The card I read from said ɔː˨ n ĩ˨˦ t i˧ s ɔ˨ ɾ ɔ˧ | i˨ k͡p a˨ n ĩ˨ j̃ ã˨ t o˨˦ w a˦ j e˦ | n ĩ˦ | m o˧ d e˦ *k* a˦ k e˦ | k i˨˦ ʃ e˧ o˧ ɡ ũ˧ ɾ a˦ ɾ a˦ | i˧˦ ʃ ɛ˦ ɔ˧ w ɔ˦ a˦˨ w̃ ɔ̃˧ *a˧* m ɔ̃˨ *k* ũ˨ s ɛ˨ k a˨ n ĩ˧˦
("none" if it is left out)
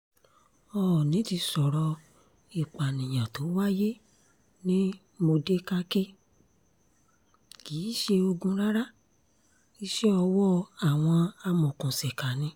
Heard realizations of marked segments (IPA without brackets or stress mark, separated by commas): k, a˧, k